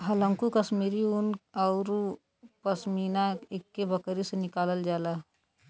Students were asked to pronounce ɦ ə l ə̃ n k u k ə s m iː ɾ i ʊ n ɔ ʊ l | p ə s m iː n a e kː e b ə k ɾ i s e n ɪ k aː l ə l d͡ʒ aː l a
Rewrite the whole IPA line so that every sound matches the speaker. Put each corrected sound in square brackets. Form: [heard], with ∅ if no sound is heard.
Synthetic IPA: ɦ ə l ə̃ [ŋ] k u k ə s m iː ɾ i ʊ n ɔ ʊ [ɾ] | p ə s m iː n a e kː e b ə k ɾ i s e n ɪ k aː l ə l d͡ʒ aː l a

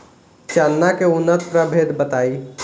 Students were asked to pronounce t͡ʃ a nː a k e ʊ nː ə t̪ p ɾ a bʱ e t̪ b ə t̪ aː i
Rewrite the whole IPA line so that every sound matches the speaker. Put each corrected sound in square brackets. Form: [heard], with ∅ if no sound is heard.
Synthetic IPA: t͡ʃ a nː a k e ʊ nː ə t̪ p ɾ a bʱ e [d̪] b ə t̪ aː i

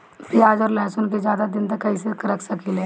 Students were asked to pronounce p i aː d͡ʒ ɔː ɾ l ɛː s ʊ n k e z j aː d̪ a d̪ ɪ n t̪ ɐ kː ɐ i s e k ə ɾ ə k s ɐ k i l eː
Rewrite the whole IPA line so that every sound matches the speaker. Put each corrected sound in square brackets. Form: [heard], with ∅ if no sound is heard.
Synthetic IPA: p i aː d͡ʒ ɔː ɾ l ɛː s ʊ n k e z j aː d̪ a d̪ ɪ n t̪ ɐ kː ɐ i s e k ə ɾ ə k s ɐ k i l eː

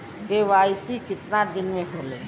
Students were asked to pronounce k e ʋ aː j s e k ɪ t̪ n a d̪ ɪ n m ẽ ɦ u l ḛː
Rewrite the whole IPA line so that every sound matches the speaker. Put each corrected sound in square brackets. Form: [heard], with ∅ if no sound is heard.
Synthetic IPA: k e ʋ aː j s [i] k ɪ t̪ n a d̪ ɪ n m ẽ ɦ [o] l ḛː

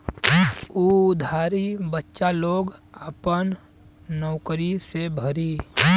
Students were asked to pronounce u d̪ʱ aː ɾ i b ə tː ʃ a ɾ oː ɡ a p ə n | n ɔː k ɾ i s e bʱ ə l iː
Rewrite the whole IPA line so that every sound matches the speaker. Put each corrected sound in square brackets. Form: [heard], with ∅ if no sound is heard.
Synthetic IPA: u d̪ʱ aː ɾ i b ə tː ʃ a [l] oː ɡ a p ə n | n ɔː k ɾ i s e bʱ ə [ɾ] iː

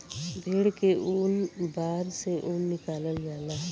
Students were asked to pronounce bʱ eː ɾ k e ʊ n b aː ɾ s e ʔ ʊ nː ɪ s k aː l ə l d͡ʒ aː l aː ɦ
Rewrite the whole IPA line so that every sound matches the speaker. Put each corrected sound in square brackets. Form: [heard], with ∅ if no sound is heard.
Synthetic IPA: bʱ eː [ɽ] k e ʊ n b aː ɾ s e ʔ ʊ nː ɪ [∅] k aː l ə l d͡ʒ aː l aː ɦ

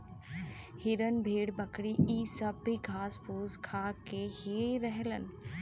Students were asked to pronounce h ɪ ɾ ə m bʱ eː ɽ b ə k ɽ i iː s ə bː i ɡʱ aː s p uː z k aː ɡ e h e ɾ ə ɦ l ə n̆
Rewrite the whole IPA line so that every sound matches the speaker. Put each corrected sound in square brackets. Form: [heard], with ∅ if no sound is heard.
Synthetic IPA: h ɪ ɾ ə [n] bʱ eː ɽ b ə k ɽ i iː s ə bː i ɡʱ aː s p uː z [kʰ] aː [k] e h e ɾ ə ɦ l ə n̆

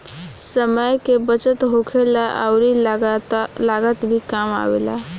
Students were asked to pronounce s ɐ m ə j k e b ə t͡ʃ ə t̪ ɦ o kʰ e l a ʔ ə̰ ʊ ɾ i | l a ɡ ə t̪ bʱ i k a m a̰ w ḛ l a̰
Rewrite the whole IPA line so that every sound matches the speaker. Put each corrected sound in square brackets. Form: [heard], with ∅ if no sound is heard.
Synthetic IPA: s [ə] m ə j k e b ə t͡ʃ ə t̪ ɦ o kʰ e l a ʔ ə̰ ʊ ɾ i | l a ɡ ə t̪ bʱ i k a m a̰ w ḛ l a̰

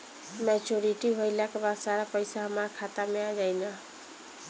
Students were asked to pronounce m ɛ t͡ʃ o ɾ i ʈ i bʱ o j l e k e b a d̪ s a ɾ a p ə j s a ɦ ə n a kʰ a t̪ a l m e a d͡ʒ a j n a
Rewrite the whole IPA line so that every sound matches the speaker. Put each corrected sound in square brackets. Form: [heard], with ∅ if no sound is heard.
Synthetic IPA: m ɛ t͡ʃ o ɾ i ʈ i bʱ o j l [a] k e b a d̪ s a ɾ a p ə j s a ɦ ə [m] a kʰ a t̪ a [∅] m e a d͡ʒ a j n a

